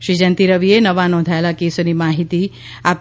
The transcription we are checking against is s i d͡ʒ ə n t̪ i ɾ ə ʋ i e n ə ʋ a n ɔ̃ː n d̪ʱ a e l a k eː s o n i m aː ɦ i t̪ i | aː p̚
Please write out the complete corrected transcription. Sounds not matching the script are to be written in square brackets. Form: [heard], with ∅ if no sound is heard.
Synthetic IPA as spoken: [ʃ] i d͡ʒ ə n t̪ i ɾ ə ʋ i e n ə ʋ a n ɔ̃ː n d̪ʱ a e l a k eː s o n i m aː ɦ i t̪ i | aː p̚